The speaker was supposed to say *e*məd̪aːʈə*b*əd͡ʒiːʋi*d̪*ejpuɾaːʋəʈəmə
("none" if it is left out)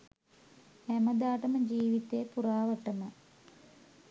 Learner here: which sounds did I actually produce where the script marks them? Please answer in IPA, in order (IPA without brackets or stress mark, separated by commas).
æ, m, t̪